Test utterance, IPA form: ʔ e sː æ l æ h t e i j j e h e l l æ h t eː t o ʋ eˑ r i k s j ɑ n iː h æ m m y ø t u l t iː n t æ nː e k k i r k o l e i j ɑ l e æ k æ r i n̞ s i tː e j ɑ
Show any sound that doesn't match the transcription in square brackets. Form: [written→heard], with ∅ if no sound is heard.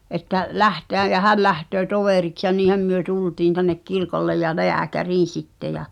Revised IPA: ʔ e [sː→tː] æ l æ h t e [i→æ] j j [e→æ] h [e→æ] l l æ h t [eː→øː] t o ʋ eˑ r i k s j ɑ n iː h æ m m y ø t u l t iː n t æ nː e k k i r k o [l→lː] e [i→j] j ɑ l e æ k æ r [i→iː] n̞ s i tː e j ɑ

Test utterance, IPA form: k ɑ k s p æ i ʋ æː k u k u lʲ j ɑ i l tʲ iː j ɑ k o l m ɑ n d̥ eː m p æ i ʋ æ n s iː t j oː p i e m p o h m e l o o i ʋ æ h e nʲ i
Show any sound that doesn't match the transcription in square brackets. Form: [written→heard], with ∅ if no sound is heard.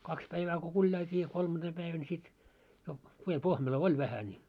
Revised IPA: k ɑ k s p æ i ʋ æː k u k u lʲ j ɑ i l tʲ iː j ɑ k o l m ɑ n d̥ eː m p æ i ʋ æ n s [iː→i] t j [oː→o] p i e m p o h m e l o o i ʋ æ h [e→æ] nʲ i

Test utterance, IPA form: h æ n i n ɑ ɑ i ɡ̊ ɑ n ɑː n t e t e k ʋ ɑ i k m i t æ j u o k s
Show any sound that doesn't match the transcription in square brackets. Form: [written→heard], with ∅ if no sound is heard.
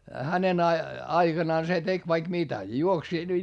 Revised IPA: h æ n [i→e] n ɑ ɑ i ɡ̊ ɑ n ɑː n [t→s] e t e k ʋ ɑ i k m i t æ j u o k s

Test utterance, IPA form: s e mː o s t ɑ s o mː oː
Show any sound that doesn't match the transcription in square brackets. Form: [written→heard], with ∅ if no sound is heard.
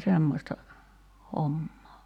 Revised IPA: s e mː o s t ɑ [s→h] o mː oː

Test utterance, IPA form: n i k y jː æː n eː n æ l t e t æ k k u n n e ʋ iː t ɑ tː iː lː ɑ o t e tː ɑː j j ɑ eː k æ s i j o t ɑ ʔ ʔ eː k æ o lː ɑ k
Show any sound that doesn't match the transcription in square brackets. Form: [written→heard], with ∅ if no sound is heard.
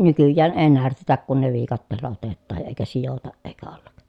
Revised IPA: n [i→y] k y jː æː n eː n æ [l→r] t e t æ k k u n n e ʋ iː [t→k] ɑ tː [iː→eː] lː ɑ o t e tː ɑː j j ɑ eː k æ s i j o t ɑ ʔ ʔ eː k æ o lː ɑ k

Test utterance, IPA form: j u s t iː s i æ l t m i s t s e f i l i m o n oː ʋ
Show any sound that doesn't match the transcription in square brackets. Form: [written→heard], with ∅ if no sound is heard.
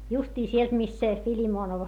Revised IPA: j u s t iː s i [æ→e] l t m i s t s e f i l i m [o→oː] n [oː→o] ʋ

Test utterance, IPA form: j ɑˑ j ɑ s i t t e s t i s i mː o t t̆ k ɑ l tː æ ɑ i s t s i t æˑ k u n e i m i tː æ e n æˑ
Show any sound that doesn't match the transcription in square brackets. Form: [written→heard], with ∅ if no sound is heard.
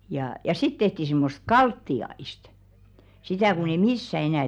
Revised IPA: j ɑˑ j ɑ s i t t e [s→h] t i s i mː o [t→s] t̆ k ɑ l tː [æ→i] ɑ i s t s i t æˑ k u n e i m i [tː→sː] æ e n æˑ

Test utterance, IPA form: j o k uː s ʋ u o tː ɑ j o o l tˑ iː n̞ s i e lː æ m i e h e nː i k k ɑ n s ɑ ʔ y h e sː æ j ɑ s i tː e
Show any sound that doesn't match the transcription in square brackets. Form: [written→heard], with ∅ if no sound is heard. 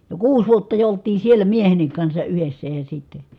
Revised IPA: j o k uː s ʋ u o tː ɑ j o o l tˑ iː n̞ s i e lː æ m i e h e nː i k k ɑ n s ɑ ʔ y h e sː æ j ɑ s i tː e

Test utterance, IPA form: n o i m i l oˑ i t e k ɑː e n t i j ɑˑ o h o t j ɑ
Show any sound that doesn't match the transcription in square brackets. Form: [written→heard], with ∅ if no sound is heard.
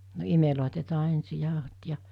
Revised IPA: n o i m [i→e] l oˑ i t e [k→t] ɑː e n [t→s] i j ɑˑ o h o t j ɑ

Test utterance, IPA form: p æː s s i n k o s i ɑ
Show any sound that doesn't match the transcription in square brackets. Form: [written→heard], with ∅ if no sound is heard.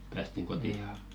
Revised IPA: p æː s [s→t] i [n→ŋ] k o [s→t] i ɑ

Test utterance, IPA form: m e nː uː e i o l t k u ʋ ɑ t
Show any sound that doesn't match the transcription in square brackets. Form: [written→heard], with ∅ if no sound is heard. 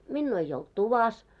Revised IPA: m [e→i] nː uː e i o l t [k→t] u ʋ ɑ [t→s]

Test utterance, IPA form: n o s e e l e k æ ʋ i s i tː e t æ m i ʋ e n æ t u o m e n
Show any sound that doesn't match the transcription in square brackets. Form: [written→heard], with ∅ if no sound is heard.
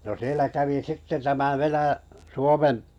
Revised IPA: n o s [e→i] e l [e→æ] k æ ʋ i s i tː e t æ m [i→æ] ʋ e n æ [t→s] u o m e [n→m]

